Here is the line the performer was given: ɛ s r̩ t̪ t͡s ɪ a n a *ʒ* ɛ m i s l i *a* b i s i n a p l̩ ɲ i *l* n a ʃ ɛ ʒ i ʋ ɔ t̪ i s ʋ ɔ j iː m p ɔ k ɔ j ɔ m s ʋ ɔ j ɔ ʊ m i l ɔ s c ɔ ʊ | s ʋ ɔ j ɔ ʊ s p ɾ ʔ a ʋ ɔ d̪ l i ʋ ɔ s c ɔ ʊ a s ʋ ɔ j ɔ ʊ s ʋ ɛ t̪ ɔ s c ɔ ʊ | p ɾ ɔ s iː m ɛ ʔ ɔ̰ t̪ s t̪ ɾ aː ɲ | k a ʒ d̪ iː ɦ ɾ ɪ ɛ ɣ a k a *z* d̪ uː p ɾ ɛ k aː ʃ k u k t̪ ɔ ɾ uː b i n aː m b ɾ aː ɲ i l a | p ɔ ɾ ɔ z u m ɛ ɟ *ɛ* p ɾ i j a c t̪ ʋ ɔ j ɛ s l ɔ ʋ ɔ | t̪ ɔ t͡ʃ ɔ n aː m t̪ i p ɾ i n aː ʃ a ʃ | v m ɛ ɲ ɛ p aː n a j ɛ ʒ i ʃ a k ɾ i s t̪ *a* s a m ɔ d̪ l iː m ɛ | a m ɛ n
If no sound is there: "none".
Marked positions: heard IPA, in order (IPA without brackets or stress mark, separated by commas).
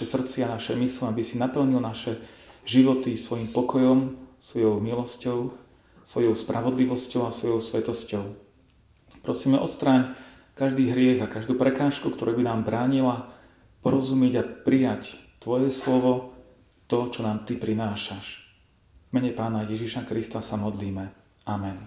ʃ, a, l, ʒ, a, a